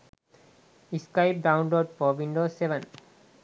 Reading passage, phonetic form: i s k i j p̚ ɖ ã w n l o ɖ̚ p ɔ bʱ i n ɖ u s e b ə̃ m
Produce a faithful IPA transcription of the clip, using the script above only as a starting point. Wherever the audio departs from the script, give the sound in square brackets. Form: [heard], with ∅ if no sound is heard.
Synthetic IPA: i s k [a] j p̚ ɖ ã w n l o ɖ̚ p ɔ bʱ i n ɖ [o] s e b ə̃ [n]